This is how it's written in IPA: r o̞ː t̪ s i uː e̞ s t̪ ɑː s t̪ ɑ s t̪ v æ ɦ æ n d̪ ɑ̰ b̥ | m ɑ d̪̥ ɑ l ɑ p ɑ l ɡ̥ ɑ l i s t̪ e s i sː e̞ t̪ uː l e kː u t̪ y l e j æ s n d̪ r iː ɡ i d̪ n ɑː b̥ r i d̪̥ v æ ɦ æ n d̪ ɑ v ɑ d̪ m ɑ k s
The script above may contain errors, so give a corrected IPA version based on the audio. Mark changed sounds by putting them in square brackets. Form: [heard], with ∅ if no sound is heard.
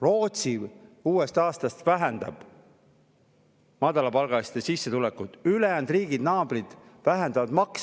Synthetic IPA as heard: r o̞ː t̪ s i uː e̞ s t̪ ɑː s t̪ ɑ s t̪ v æ ɦ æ n d̪ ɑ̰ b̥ | m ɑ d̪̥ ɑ l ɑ p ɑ l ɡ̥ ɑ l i s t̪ e s i sː e̞ t̪ [u] l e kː u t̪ y l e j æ [∅] n d̪ r iː ɡ i d̪ n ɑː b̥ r i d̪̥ v æ ɦ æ n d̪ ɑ v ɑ d̪ m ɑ k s